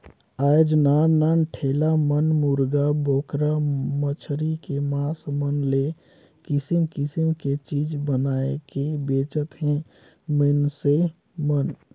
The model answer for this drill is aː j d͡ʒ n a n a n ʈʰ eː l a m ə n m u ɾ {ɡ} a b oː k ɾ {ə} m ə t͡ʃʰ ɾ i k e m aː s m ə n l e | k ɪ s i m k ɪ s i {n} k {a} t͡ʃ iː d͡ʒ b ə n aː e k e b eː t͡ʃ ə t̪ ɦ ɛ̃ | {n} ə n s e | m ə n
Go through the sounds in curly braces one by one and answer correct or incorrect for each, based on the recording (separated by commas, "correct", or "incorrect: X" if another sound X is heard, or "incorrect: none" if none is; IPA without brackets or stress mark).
correct, incorrect: a, incorrect: m, incorrect: e, incorrect: m